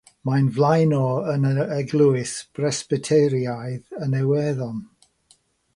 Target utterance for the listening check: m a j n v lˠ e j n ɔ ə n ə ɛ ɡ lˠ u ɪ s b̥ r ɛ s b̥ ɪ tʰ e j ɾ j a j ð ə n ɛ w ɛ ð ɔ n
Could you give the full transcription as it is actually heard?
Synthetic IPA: m a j n v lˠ a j n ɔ ə n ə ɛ ɡ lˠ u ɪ s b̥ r ɛ s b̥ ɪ tʰ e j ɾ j a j ð ə n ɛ w ɛ ð ɔ n